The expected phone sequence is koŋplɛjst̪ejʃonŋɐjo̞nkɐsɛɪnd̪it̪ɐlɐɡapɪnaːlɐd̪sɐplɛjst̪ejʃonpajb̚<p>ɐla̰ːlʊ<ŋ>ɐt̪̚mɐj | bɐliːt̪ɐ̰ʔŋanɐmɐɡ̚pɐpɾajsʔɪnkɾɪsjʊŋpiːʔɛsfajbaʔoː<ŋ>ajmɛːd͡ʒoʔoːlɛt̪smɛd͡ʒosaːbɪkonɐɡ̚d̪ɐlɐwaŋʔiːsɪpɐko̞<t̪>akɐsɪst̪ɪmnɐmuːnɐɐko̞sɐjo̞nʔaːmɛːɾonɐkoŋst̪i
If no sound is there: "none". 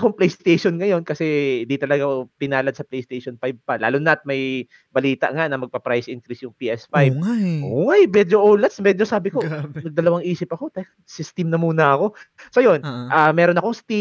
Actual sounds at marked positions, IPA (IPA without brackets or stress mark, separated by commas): p, n, ŋ, t̪